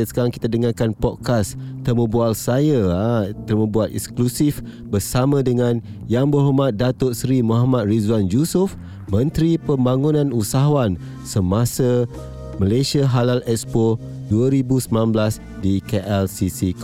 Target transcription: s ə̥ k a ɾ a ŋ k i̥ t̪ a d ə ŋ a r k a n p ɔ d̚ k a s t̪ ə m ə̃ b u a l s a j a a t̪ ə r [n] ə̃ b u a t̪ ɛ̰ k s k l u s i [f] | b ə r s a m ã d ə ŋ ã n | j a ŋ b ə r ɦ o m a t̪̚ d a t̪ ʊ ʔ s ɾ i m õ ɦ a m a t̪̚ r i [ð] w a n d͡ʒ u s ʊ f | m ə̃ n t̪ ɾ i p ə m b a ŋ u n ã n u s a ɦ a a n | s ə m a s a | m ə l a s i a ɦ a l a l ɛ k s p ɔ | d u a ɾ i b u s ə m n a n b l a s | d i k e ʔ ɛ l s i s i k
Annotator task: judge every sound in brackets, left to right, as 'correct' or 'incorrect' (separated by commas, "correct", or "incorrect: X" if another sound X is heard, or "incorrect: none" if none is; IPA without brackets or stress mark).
incorrect: m, correct, incorrect: z